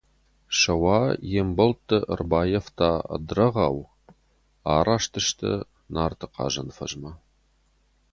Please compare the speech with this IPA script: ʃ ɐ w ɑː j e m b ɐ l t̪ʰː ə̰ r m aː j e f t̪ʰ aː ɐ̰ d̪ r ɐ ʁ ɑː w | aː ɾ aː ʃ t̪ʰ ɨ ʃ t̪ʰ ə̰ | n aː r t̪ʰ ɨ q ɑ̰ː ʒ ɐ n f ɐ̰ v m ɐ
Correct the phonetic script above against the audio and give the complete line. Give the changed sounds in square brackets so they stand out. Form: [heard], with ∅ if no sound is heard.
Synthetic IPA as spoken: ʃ ɐ w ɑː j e m b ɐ l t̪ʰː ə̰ r [b] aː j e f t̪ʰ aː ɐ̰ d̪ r ɐ ʁ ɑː w | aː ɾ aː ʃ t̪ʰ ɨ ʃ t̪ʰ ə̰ | n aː r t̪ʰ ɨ q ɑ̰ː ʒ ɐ n f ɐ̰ [ʒ] m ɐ